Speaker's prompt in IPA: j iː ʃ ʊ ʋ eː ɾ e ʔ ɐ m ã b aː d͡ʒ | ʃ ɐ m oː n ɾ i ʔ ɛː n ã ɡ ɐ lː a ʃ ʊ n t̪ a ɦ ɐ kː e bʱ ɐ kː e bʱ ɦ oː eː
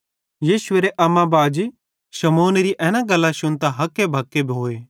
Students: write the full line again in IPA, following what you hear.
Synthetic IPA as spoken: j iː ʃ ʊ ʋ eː ɾ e ʔ ɐ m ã b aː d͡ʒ | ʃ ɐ m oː n ɾ i ʔ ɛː n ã ɡ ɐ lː a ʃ ʊ n t̪ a ɦ ɐ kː e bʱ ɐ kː e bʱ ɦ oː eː